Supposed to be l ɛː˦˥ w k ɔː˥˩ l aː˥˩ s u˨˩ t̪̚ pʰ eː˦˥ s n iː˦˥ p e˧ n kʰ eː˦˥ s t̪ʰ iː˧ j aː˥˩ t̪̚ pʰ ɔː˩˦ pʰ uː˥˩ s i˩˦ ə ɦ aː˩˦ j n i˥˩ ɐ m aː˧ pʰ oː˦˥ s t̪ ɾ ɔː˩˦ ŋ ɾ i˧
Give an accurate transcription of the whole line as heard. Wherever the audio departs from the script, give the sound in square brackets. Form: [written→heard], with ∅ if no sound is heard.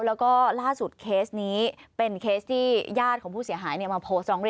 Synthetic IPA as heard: l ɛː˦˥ w k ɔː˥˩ l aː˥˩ s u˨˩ t̪̚ [pʰ→kʰ] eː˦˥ s n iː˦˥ p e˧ n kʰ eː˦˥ s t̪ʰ [iː˧→iː˥˩] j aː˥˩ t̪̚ [pʰ→kʰ] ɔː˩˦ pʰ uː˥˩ s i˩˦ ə ɦ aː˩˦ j n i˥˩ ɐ m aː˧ pʰ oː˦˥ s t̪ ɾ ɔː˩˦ ŋ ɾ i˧